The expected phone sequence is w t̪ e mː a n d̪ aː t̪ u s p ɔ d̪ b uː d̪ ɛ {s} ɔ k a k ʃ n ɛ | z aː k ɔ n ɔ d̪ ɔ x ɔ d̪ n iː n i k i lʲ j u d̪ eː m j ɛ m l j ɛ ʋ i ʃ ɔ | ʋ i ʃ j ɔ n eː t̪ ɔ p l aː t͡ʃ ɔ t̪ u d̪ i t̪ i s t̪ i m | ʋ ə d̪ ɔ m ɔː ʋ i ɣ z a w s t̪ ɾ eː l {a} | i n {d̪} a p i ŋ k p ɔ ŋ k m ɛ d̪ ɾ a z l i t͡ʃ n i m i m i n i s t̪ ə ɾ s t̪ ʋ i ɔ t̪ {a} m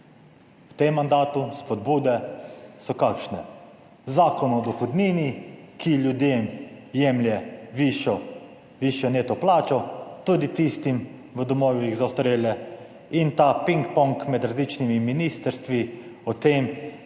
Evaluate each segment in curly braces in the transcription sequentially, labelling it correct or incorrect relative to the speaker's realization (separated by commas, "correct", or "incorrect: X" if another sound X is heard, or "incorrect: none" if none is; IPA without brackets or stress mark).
correct, incorrect: ɛ, incorrect: t̪, incorrect: e